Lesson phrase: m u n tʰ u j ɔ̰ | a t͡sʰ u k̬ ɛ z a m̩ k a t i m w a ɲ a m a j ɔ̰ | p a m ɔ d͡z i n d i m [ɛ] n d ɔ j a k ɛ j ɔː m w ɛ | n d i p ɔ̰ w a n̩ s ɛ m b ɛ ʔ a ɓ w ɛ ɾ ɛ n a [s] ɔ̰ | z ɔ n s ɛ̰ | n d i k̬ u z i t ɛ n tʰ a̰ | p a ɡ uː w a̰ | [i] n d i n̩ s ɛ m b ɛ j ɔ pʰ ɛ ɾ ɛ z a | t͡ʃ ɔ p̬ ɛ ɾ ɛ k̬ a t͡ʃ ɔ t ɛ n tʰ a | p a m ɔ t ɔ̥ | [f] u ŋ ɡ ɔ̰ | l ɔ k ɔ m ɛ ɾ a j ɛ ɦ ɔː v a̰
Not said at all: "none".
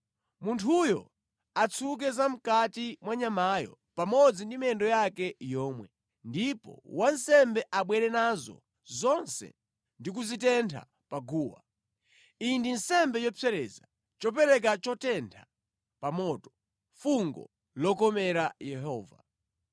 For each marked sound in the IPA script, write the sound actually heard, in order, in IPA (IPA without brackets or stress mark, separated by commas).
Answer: ɛ, z, i, f